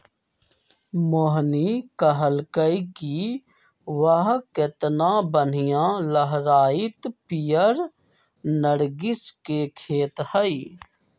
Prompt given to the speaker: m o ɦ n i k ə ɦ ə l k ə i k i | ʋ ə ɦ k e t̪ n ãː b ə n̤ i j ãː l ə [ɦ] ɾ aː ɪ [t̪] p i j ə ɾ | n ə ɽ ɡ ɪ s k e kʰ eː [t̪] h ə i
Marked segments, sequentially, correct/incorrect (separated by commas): correct, correct, correct